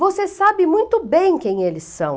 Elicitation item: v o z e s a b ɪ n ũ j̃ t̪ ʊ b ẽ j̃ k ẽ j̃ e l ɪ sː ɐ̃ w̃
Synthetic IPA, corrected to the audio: v o s e s a b ɪ m ũ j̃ t̪ ʊ b ẽ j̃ k ẽ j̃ e l ɪ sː ɐ̃ w̃